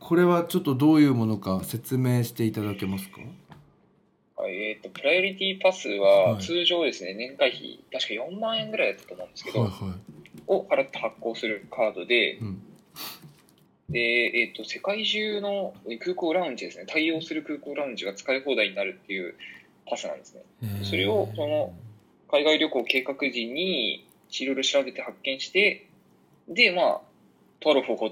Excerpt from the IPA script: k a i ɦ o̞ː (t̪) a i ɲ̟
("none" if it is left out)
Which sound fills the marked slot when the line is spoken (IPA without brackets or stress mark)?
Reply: d̪